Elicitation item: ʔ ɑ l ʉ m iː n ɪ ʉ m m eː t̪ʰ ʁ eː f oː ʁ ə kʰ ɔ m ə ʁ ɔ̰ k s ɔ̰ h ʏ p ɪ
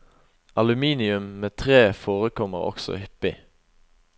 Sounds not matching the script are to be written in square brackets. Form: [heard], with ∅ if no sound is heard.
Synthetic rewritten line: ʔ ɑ l ʉ m iː n ɪ ʉ m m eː t̪ʰ ʁ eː f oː ʁ ə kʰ ɔ m ə ʁ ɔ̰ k s ɔ̰ h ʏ p ɪ